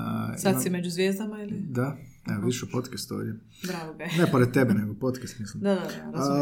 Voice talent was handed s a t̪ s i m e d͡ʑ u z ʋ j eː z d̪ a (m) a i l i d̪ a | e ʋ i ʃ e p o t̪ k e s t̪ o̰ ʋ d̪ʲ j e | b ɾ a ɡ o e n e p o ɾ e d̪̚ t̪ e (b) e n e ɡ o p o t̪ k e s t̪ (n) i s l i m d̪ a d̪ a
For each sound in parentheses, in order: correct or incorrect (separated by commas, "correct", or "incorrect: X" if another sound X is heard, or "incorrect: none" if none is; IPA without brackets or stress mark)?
correct, correct, incorrect: m